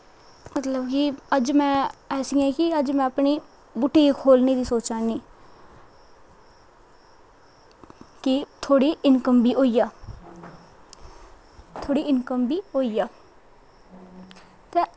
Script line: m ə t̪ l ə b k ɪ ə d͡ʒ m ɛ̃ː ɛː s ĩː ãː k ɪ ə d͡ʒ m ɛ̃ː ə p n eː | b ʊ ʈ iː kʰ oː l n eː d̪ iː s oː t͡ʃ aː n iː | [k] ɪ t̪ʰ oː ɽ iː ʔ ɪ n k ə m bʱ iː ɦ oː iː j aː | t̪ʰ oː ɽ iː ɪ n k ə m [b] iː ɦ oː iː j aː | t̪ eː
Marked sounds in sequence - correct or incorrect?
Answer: correct, correct

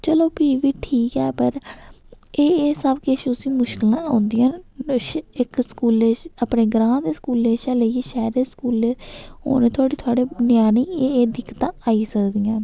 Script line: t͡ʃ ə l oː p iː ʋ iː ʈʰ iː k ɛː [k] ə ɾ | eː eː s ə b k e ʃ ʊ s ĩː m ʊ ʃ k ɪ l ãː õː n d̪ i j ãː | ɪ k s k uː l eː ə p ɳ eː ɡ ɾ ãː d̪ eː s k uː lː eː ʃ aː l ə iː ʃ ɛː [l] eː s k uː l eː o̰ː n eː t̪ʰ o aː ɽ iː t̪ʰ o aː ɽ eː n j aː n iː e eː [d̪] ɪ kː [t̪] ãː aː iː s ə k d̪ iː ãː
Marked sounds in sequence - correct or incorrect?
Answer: incorrect: p, incorrect: ɾ, correct, correct

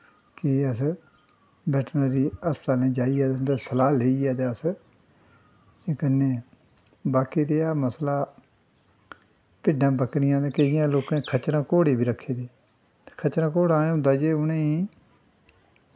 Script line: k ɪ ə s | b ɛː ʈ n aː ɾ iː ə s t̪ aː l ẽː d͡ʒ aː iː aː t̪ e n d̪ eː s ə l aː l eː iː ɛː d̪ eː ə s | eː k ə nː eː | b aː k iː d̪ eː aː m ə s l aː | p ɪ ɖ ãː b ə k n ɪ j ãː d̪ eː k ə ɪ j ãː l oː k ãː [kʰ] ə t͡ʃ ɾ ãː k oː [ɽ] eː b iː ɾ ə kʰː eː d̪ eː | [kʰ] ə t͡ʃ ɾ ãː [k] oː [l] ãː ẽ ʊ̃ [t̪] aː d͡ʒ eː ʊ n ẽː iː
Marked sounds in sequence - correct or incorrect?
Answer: correct, correct, correct, correct, incorrect: ɽ, incorrect: d̪

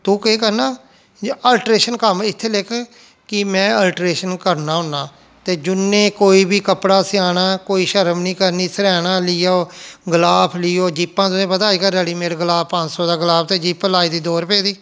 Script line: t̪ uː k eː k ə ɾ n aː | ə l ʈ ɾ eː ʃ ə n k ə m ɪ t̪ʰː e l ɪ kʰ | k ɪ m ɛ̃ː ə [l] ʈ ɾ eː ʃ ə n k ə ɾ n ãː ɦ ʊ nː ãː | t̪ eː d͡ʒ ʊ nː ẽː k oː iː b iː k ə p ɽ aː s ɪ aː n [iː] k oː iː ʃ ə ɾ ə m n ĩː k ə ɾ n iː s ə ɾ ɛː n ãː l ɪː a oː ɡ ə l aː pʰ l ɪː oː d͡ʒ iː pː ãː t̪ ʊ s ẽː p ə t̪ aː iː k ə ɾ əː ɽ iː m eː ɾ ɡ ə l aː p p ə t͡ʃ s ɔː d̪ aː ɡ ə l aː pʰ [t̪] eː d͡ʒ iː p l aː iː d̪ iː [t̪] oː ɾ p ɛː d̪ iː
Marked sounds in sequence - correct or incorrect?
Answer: correct, incorrect: aː, correct, incorrect: d̪

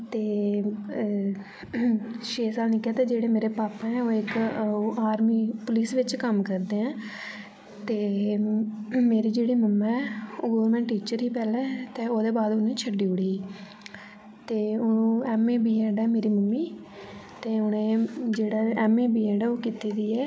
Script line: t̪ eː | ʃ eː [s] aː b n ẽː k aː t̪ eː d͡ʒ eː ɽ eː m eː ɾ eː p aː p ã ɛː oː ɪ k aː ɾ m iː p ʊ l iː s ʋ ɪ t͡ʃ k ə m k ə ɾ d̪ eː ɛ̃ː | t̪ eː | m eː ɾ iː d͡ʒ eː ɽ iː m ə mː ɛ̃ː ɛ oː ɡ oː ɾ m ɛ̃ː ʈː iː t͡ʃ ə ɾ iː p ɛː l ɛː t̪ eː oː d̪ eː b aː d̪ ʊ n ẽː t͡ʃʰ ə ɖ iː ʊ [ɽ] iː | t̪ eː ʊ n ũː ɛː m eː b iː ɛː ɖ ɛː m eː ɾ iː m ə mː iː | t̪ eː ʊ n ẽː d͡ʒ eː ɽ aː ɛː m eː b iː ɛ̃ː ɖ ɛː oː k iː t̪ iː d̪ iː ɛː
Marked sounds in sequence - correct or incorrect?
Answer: correct, correct

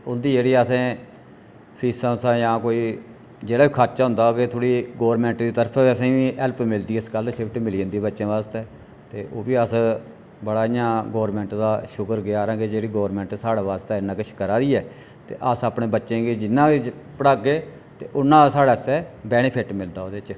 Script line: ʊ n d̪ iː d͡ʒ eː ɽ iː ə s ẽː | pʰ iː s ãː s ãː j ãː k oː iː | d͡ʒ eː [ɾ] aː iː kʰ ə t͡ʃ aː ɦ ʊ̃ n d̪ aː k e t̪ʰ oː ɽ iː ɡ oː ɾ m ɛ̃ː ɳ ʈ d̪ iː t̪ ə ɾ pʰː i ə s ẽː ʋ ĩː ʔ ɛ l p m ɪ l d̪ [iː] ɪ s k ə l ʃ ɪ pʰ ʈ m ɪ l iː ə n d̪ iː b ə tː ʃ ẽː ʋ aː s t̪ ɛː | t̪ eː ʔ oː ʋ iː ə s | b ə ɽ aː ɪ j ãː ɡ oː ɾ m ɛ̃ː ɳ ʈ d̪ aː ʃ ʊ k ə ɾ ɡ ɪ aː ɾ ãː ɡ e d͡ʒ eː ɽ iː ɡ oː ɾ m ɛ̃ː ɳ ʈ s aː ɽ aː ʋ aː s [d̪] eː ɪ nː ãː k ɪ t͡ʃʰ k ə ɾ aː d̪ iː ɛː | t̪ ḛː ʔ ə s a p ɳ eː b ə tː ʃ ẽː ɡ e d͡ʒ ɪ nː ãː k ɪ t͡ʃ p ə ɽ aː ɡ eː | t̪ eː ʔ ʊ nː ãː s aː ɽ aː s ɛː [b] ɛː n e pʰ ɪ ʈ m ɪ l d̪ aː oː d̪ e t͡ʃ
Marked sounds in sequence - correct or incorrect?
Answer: incorrect: ɽ, correct, incorrect: t̪, correct

